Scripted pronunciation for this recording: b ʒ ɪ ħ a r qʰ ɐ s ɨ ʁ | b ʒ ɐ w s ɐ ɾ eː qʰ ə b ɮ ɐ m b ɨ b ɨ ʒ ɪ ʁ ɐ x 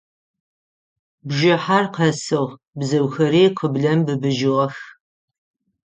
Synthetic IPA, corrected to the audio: b ʒ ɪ ħ a r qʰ ɐ s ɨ ʁ | b z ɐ w x ɐ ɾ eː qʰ ə b ɮ ɐ m b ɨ b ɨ ʒ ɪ ʁ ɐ x